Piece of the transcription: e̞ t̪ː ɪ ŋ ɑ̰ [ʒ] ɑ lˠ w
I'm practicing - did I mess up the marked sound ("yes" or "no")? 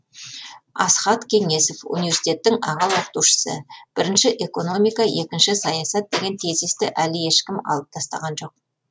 yes